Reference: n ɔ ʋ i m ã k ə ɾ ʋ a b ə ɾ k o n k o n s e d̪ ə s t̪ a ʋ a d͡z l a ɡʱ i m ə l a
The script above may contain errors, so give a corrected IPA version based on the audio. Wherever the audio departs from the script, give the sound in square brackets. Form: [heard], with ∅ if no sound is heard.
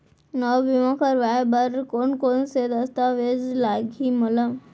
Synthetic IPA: n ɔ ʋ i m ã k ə ɾ ʋ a b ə ɾ k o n k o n s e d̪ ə s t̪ a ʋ [e] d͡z l a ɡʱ i m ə l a

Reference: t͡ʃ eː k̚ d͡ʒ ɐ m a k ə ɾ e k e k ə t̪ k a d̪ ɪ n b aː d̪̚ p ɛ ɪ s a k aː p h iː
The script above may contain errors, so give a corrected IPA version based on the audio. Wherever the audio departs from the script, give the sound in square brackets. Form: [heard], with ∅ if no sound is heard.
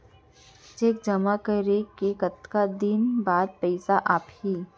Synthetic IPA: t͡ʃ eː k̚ d͡ʒ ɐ m a k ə ɾ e k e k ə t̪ k a d̪ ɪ n b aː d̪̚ p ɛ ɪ s a [ʔ] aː p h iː

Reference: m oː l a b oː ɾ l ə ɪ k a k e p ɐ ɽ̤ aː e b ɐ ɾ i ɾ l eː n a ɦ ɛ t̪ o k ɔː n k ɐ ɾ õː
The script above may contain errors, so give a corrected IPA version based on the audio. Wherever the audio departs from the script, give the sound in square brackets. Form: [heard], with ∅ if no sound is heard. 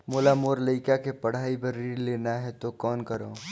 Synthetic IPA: m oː l a [m] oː ɾ l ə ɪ k a k e p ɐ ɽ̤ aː [i] b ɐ ɾ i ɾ l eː n a ɦ ɛ t̪ o k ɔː n k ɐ ɾ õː

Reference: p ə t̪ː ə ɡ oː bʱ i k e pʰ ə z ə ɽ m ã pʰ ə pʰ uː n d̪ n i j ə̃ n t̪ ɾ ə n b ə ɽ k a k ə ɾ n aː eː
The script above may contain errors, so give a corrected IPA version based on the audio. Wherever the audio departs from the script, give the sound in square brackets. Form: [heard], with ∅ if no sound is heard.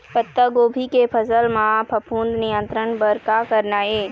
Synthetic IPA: p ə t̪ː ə ɡ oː bʱ i k e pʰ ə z ə [l] m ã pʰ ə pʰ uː n d̪ n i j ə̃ n t̪ ɾ ə n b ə [ɾ] k a k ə ɾ n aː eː

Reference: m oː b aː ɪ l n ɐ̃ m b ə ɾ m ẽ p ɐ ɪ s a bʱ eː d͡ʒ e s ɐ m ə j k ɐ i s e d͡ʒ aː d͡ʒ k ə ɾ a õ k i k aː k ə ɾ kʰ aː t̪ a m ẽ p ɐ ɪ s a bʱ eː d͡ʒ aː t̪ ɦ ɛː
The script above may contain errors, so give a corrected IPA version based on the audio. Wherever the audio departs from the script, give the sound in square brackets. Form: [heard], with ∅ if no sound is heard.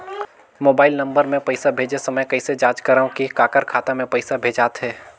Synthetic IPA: m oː b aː ɪ l n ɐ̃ m b ə ɾ m ẽ p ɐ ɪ s a bʱ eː d͡ʒ e s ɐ m ə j k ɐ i s e d͡ʒ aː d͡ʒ k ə ɾ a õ k i k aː k ə ɾ kʰ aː t̪ a m ẽ p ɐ ɪ s a bʱ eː d͡ʒ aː t̪ ɦ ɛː

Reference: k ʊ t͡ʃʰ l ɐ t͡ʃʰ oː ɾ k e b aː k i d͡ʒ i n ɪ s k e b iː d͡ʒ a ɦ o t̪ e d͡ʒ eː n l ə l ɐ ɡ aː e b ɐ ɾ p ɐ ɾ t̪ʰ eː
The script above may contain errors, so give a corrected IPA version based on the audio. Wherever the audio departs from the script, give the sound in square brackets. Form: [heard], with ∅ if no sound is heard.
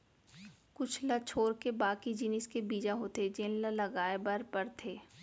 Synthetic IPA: k ʊ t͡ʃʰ l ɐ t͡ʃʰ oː ɾ k e b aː k i d͡ʒ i n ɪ s k e b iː d͡ʒ a ɦ o t̪ e d͡ʒ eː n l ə l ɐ ɡ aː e b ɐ ɾ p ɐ ɾ t̪ʰ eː

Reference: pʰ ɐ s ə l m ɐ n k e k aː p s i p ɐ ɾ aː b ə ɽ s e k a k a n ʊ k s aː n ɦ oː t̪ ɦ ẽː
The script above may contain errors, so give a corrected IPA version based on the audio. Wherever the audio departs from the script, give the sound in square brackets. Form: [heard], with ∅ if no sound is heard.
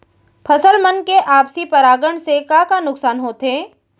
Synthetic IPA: pʰ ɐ s ə l m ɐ n k e [ʔ] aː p s i p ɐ ɾ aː [ɡ] ə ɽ s e k a k a n ʊ k s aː n ɦ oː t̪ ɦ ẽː

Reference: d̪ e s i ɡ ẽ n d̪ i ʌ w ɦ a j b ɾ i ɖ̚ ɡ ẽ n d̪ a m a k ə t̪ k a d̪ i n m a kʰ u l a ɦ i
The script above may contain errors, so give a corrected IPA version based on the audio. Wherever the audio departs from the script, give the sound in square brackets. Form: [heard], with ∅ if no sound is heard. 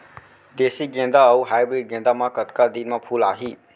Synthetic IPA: d̪ e s i ɡ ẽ n d̪ [a] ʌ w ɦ a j b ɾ i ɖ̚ ɡ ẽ n d̪ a m a k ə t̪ k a d̪ i n m a [pʰ] u l a ɦ i

